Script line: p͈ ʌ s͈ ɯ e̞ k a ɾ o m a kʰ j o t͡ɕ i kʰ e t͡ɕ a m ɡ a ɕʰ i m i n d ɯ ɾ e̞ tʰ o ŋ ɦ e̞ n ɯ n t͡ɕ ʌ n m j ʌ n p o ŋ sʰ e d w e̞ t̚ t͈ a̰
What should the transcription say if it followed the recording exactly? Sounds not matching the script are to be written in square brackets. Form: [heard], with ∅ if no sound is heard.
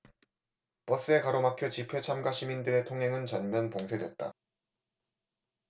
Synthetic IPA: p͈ ʌ s͈ ɯ e̞ k a ɾ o m a kʰ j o t͡ɕ i [pʰ] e [t͡ɕʰ] a m ɡ a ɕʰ i m i n d ɯ ɾ e̞ tʰ o ŋ ɦ e̞ [ŋ] ɯ n t͡ɕ ʌ n m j ʌ n p o ŋ sʰ e d w e̞ t̚ t͈ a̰